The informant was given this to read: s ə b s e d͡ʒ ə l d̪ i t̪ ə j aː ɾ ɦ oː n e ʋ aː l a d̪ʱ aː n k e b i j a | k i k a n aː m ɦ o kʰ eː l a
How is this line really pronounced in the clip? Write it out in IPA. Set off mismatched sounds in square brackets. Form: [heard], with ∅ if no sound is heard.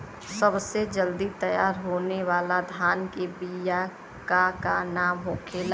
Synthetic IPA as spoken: s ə b s e d͡ʒ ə l d̪ i t̪ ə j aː ɾ ɦ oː n e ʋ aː l a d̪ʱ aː n k e b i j a | k [a] k a n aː m ɦ o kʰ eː l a